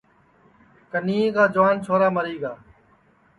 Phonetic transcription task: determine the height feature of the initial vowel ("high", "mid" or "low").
mid